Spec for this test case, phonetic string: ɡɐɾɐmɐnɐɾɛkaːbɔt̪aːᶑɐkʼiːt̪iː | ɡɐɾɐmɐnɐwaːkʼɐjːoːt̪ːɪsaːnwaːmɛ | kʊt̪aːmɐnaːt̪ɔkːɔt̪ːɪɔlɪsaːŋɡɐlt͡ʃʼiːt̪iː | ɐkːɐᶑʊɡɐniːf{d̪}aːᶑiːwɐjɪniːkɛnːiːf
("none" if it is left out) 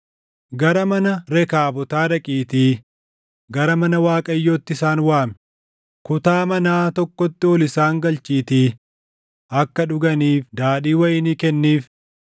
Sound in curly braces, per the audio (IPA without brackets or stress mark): d̪